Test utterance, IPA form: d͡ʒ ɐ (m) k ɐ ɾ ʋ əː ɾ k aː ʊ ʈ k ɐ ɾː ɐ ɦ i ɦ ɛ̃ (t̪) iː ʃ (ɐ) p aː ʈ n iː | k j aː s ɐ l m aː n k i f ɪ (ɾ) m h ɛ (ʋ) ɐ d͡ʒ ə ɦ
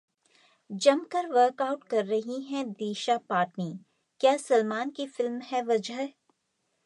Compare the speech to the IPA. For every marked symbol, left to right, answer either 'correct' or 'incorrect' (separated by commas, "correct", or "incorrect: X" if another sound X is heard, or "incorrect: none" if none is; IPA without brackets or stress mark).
correct, incorrect: d̪, incorrect: a, incorrect: l, correct